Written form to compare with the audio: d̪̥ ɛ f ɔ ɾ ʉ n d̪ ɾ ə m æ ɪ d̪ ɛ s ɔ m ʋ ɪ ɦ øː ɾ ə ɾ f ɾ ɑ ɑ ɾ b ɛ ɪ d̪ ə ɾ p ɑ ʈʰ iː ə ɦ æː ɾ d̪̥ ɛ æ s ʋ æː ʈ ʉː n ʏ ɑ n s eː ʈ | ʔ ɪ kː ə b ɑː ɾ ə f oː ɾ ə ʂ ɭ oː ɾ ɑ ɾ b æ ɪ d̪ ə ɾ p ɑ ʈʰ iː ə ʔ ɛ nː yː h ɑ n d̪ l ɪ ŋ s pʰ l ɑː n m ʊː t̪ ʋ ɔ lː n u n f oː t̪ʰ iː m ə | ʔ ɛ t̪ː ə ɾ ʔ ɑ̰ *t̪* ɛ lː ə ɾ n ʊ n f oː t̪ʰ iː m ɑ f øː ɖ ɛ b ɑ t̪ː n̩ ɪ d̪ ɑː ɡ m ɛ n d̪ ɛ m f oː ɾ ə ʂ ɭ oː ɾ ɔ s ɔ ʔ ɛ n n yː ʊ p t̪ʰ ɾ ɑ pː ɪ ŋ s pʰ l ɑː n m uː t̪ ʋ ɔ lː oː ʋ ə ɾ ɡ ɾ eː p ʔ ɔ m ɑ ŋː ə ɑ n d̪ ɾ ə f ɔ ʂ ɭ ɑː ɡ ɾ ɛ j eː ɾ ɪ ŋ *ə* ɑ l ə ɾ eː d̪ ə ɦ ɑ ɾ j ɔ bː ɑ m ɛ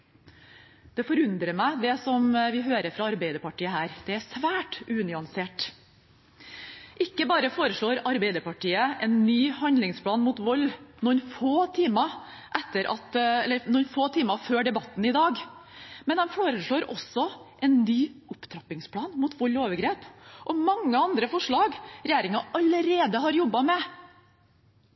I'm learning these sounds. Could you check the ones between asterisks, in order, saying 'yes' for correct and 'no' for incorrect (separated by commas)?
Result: yes, no